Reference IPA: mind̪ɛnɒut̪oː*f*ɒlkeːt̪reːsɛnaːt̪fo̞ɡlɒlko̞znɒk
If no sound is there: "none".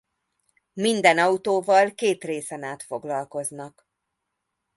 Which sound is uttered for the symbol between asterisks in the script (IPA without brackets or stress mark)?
v